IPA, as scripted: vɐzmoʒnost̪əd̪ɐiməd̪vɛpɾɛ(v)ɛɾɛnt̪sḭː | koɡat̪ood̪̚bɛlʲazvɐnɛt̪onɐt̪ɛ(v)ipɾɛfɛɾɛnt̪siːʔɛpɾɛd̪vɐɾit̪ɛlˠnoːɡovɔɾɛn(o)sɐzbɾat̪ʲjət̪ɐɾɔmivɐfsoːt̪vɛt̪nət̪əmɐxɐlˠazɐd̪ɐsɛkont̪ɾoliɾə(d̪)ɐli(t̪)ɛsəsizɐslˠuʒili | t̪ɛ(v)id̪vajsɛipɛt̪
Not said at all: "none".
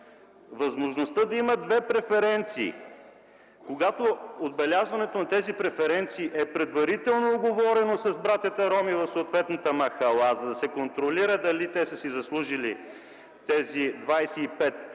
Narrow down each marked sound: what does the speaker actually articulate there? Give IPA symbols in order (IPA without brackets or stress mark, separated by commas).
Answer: f, z, o, d̪, t̪, z